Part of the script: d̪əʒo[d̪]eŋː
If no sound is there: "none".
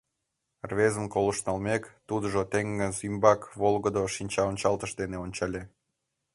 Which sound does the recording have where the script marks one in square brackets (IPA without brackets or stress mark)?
t̪